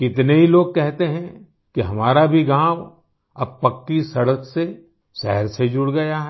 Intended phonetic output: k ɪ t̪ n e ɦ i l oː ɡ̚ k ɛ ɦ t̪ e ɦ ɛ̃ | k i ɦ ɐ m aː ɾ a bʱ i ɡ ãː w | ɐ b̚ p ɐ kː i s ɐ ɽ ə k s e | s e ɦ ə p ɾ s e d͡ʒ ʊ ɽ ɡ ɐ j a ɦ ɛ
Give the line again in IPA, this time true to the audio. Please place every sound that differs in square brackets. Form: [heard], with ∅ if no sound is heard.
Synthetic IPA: k ɪ t̪ n e ɦ i l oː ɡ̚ k ɛ ɦ t̪ e ɦ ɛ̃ | k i ɦ ɐ m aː ɾ a bʱ i ɡ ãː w | ɐ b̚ p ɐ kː i s ɐ ɽ ə k s e | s [ɛ] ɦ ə [∅] ɾ s e d͡ʒ ʊ ɽ ɡ ɐ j a ɦ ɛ